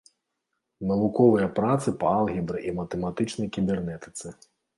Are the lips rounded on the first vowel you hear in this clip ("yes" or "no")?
no